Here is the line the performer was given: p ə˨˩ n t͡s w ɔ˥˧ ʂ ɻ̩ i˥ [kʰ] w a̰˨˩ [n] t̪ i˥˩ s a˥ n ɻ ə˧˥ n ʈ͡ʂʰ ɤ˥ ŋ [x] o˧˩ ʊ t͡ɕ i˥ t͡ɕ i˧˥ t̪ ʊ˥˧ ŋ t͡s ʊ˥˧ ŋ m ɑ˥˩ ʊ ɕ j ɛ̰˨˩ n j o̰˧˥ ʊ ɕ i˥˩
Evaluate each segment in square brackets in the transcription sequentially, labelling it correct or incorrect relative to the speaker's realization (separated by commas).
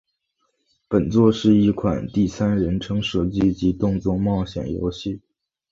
correct, correct, incorrect